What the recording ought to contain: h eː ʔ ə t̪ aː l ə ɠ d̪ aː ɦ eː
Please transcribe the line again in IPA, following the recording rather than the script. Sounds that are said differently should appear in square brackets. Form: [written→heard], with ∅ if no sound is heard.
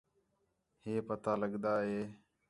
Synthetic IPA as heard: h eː [ʔ→p] ə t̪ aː l ə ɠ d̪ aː ɦ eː

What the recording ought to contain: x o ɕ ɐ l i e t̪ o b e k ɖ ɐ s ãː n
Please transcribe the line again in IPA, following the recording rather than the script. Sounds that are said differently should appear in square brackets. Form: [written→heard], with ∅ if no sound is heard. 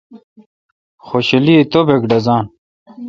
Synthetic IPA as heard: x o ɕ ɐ l i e t̪ o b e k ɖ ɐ [s→z] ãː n

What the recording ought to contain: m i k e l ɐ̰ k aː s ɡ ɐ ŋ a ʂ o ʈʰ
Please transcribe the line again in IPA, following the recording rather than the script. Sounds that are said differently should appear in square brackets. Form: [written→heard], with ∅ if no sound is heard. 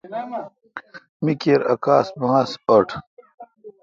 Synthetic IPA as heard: m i k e [l→ɾ] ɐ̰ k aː s [ɡ→b] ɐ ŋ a [ʂ→s] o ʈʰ

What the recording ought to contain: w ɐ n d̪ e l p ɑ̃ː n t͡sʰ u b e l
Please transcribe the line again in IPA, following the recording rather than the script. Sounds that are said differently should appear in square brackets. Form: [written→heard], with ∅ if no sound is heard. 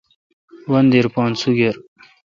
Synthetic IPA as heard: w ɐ n d̪ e [l→ɾ] p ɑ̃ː n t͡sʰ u [b→ɡ] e [l→ɾ]

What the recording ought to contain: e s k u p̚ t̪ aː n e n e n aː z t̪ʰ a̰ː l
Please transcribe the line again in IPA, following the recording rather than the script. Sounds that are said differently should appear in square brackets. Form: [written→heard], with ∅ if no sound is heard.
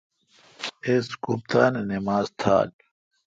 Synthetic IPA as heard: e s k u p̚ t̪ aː n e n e [n→m] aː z t̪ʰ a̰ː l

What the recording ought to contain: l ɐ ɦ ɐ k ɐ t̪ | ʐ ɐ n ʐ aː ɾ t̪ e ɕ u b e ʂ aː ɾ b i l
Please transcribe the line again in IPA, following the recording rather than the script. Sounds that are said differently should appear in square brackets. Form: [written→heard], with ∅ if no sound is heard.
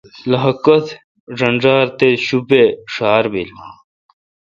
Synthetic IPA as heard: l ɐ ɦ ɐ k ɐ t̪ | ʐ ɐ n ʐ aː ɾ t̪ e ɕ u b e ʂ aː ɾ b i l

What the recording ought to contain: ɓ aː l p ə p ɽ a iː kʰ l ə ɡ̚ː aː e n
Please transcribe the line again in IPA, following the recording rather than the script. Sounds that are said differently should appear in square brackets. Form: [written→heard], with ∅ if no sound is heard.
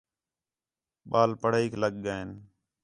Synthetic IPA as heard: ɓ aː l p ə [p→∅] ɽ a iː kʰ l ə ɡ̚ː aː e n

